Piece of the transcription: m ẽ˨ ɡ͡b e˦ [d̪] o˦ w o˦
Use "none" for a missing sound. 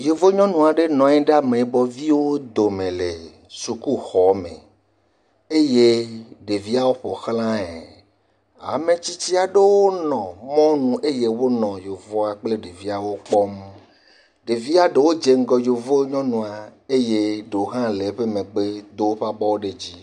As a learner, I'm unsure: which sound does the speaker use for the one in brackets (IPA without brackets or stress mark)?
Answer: d̪